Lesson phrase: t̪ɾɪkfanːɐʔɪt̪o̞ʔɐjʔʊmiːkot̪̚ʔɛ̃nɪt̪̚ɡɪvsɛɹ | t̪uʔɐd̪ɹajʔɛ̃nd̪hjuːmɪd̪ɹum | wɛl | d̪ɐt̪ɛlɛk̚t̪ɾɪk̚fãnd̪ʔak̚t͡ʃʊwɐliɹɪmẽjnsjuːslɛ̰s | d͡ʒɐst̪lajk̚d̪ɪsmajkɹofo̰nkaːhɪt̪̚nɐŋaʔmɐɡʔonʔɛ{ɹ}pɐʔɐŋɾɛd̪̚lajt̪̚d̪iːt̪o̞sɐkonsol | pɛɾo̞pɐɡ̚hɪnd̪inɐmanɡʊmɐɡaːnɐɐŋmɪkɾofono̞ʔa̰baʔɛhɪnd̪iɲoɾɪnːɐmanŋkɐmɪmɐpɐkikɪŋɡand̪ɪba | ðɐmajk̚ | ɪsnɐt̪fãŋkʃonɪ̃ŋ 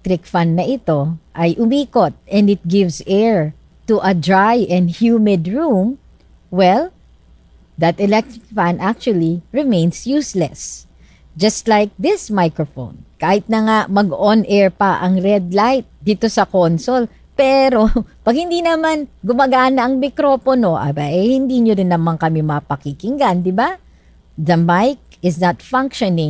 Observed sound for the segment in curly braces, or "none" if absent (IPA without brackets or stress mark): ɹ